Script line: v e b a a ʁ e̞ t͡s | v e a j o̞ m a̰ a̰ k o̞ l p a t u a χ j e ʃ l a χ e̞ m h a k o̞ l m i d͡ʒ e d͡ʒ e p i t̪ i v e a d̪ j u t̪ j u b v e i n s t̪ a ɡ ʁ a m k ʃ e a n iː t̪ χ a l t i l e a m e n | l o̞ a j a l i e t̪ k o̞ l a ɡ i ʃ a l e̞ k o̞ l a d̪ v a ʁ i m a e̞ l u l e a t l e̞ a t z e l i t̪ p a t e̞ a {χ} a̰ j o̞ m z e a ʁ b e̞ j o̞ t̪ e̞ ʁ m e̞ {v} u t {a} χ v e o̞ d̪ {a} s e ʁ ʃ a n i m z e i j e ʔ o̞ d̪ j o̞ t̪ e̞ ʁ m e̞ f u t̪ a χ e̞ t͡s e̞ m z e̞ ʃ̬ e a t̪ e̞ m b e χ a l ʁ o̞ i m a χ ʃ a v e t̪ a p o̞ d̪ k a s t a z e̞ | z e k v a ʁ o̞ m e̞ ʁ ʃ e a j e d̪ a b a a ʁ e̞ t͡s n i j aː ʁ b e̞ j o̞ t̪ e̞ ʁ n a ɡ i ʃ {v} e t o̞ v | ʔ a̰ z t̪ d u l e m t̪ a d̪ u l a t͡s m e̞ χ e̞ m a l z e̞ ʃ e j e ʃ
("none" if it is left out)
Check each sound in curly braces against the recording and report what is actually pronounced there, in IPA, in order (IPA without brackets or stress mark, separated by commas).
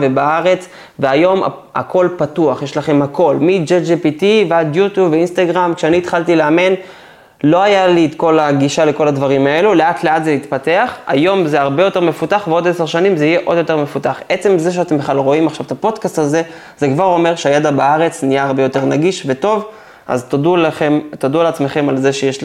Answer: χ, f, a, e, v